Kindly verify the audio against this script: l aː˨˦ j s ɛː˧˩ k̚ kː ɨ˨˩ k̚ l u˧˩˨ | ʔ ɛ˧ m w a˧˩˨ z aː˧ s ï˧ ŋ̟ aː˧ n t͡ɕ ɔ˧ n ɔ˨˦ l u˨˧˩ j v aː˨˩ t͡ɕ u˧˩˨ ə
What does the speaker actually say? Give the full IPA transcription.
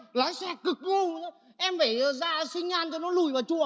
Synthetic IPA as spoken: l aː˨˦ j s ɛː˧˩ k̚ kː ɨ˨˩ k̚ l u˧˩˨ | ʔ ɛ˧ m v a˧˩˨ z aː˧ s ï˧ ŋ̟ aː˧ n t͡ɕ ɔ˧ n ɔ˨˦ l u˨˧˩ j v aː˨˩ t͡ɕ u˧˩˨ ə